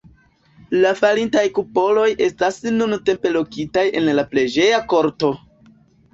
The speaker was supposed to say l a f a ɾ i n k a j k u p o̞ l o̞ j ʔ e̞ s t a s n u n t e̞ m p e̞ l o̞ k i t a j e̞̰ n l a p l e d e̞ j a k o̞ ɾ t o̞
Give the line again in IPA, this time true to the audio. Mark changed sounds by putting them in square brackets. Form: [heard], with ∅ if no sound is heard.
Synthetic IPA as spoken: l a f a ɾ i n [t] a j k u p o̞ l o̞ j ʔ e̞ s t a s n u n t e̞ m p e̞ l o̞ k i t a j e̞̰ n l a p l e [d͡ʒ] e̞ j a k o̞ ɾ t o̞